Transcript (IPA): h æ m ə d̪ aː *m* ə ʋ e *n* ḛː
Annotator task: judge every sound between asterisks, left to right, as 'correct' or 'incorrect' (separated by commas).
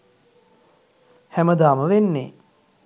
correct, incorrect